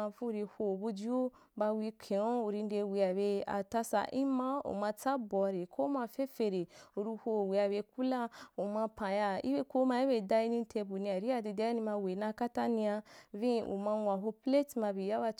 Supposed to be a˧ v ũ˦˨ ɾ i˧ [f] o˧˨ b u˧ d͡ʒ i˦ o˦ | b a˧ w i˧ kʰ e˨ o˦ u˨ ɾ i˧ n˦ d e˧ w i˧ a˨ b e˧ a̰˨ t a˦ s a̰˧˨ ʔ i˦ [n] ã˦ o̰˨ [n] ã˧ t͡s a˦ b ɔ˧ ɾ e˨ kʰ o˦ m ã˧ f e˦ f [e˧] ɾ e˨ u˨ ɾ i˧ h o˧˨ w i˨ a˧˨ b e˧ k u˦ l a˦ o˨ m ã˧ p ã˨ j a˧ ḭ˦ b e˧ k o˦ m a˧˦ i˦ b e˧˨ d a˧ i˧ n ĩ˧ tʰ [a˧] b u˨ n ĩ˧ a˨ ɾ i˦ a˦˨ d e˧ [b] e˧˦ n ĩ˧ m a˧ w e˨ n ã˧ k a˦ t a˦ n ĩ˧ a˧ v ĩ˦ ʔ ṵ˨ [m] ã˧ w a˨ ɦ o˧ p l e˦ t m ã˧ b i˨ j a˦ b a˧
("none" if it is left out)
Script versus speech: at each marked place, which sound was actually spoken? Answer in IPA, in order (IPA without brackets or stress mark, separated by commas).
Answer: h, m, m, e˧, e˧, d, m